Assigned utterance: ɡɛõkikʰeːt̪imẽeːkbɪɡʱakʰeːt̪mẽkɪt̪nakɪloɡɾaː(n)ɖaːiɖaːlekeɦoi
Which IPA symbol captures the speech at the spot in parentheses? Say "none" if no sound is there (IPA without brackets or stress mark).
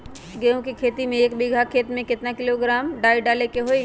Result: m